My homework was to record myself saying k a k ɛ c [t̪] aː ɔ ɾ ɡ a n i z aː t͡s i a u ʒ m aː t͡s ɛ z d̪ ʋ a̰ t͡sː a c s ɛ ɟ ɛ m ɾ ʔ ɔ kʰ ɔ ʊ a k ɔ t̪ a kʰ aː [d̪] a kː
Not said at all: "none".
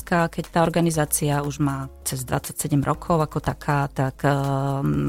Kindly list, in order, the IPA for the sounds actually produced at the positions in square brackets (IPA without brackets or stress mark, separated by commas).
t̪, t̪